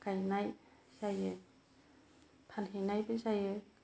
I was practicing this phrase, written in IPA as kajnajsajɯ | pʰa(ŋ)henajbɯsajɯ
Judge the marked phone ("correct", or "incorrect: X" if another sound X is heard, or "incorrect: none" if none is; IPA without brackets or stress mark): incorrect: n